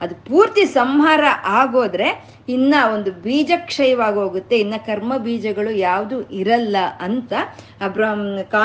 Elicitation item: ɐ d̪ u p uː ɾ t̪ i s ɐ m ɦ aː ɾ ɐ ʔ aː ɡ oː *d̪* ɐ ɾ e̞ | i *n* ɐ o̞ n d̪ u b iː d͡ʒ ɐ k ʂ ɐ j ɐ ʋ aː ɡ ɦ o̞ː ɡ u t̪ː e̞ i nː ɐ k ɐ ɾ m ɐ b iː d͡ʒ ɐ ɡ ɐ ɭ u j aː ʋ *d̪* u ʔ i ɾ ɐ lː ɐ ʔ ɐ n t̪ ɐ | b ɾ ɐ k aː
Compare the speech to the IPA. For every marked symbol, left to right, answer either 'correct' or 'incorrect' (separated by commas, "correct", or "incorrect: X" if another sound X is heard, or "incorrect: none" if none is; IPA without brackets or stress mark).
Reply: correct, incorrect: nː, correct